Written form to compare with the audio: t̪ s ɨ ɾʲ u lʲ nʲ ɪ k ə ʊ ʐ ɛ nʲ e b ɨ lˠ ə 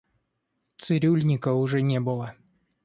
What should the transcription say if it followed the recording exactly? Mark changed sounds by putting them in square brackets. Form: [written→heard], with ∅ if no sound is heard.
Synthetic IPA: t̪ s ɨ ɾʲ u lʲ nʲ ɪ k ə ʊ ʐ ɛ nʲ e b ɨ lˠ ə